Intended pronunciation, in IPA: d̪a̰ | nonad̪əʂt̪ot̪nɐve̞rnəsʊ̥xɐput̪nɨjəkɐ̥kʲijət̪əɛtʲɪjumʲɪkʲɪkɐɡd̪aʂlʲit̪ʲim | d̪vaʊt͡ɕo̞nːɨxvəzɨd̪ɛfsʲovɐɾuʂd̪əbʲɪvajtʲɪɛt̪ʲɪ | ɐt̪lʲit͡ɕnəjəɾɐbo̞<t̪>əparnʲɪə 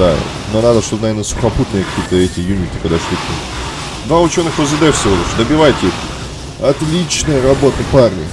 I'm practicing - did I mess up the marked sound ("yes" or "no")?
no